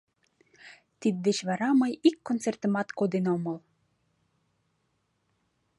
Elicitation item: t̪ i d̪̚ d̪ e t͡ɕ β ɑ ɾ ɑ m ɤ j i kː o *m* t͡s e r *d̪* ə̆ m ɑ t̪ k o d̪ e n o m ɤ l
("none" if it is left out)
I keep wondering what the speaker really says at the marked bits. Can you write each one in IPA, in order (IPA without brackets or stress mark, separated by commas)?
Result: n, t̪